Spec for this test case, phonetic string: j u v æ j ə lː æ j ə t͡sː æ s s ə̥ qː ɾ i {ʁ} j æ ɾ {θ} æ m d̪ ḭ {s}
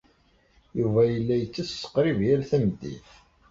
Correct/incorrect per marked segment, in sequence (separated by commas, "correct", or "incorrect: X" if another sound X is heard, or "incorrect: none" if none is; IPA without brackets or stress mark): incorrect: v, correct, incorrect: θ